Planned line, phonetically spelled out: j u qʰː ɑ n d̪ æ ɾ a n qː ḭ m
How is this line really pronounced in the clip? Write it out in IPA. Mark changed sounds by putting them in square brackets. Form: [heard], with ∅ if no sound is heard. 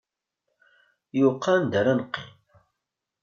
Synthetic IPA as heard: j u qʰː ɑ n d̪ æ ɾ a n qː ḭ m